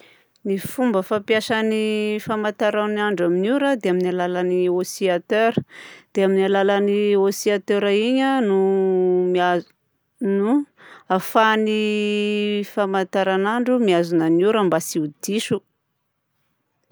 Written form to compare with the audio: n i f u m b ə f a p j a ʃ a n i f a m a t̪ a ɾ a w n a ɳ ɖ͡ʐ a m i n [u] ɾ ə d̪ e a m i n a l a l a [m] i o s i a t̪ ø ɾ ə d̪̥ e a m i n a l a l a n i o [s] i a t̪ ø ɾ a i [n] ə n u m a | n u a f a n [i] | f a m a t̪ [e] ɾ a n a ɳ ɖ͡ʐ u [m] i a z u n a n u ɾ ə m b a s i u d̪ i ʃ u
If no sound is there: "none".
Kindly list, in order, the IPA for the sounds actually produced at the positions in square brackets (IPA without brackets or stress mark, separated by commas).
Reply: u, n, s, ɲ, i, a, m